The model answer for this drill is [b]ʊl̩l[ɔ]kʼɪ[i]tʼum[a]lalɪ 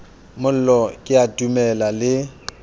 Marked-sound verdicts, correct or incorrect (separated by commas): incorrect, correct, incorrect, incorrect